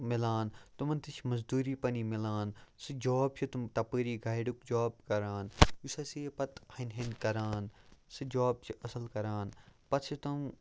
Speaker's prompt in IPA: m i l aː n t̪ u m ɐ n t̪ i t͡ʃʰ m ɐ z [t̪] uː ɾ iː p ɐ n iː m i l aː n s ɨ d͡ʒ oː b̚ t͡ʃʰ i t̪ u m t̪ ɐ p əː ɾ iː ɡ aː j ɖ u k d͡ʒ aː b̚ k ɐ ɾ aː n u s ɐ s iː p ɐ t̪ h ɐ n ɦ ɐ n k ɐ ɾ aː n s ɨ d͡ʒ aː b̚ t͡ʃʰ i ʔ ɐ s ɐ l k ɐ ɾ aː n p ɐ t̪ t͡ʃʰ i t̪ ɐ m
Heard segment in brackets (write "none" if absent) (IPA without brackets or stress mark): d̪